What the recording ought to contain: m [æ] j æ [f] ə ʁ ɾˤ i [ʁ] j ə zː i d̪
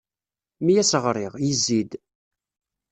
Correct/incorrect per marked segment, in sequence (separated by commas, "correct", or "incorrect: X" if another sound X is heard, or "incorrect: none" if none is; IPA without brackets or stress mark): incorrect: i, incorrect: s, correct